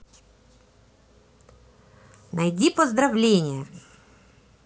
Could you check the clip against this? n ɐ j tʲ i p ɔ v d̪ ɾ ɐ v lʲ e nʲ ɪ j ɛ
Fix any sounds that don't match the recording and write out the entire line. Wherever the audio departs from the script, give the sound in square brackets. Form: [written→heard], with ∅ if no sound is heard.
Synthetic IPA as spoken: n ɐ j [tʲ→dʲ] i p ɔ [v→z] d̪ ɾ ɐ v lʲ e nʲ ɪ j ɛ